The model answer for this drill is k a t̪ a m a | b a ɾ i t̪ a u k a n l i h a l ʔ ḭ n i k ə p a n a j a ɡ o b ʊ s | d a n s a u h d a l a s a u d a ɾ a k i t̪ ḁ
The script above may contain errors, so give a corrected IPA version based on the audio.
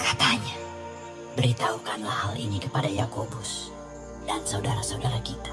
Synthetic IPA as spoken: k a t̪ a ɲ a | b ə ɾ i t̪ a u k a n l a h a l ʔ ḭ n i k ə p a d a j a k o b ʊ s | d a n s a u d a ɾ a s a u d a ɾ a k i t̪ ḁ